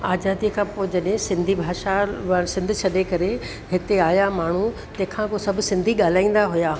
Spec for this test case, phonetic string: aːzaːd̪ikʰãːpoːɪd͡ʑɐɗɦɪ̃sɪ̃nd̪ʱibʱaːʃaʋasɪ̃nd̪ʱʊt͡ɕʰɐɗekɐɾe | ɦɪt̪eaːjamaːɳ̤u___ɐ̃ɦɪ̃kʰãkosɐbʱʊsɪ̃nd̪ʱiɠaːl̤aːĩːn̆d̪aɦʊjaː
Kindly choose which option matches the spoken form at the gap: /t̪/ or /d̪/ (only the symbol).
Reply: t̪